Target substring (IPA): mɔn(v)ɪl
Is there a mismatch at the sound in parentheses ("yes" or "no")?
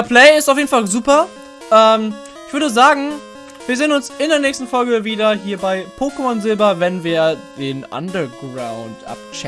yes